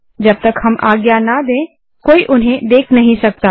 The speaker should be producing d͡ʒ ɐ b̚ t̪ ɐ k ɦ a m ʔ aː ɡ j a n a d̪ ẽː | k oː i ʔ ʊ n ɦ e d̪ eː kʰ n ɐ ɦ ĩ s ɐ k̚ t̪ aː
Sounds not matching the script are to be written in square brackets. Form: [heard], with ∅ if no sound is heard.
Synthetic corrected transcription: d͡ʒ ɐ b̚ t̪ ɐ k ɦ [ɐ] m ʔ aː ɡ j a n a d̪ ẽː | k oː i ʔ ʊ n ɦ [ẽ] d̪ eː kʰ n ɐ ɦ ĩ s ɐ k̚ t̪ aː